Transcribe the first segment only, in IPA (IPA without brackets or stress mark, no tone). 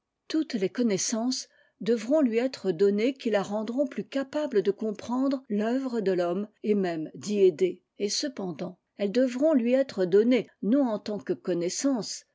t̪